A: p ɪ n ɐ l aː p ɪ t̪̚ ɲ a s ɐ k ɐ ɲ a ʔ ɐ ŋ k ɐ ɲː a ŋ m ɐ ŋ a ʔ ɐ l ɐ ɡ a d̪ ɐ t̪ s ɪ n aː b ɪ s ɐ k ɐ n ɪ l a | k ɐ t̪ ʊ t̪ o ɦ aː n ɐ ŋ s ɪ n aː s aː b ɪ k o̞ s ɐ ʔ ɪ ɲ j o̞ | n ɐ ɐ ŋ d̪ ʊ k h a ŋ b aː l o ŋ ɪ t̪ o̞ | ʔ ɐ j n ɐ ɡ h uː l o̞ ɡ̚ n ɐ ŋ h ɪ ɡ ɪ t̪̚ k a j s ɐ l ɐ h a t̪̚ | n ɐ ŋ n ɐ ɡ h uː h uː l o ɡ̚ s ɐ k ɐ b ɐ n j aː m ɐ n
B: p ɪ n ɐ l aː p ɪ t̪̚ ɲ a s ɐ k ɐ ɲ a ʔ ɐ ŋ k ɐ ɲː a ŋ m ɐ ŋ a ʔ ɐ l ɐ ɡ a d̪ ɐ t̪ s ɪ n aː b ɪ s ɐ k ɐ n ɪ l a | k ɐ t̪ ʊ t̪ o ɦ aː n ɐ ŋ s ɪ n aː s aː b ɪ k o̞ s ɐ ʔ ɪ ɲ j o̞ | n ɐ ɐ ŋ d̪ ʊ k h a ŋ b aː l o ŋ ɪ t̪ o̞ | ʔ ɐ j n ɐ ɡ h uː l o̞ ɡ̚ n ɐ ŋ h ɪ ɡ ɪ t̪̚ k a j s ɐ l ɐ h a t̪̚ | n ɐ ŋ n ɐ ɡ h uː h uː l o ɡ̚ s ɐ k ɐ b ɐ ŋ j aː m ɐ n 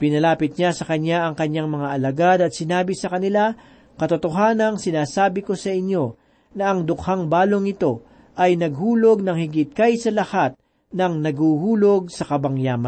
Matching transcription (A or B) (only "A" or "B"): B